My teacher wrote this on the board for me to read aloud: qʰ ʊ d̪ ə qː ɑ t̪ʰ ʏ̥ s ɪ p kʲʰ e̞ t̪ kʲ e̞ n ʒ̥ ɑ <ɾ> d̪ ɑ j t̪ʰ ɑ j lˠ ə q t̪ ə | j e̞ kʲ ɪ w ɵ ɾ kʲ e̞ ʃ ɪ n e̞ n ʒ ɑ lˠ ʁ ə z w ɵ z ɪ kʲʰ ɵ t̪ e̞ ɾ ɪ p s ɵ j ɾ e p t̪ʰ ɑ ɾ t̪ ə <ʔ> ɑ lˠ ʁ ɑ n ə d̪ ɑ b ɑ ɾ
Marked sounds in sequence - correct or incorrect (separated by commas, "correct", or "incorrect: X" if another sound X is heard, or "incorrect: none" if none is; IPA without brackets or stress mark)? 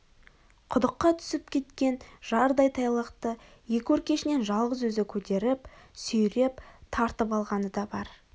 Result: correct, incorrect: p